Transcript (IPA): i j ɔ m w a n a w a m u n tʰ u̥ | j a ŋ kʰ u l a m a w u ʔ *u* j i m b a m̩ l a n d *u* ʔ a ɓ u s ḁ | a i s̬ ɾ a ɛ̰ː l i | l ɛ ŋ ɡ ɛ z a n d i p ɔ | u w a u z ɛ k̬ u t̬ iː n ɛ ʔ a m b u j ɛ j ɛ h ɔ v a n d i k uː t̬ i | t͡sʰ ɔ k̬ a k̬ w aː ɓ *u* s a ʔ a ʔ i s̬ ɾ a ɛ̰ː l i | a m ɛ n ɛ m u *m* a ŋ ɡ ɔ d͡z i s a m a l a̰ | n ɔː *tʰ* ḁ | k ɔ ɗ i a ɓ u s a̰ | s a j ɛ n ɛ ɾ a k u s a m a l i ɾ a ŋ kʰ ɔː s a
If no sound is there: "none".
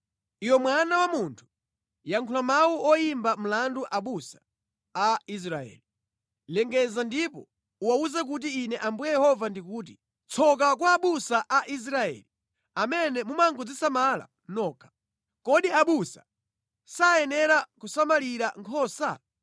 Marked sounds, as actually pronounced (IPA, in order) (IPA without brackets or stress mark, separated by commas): ɔ, u, u, m, kʰ